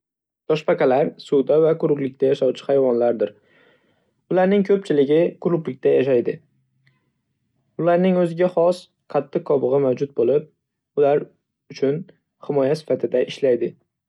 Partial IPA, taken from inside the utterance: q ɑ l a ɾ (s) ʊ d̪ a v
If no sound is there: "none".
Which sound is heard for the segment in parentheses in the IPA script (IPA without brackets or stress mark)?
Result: s